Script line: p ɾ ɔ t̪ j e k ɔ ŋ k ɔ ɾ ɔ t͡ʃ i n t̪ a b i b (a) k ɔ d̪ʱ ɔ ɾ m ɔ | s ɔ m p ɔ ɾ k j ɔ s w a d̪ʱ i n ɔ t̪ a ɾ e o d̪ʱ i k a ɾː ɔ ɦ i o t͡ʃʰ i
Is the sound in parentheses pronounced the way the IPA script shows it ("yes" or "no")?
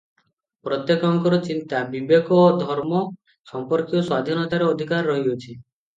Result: no